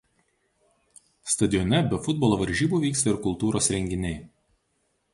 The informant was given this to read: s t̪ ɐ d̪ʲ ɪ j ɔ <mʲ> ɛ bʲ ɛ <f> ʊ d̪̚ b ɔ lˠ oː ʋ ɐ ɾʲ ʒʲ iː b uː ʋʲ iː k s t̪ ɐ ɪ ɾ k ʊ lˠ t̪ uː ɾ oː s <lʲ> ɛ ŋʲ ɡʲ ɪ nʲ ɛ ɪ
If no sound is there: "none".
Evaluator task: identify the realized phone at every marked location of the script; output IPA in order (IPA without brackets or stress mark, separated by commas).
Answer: nʲ, f, ɾʲ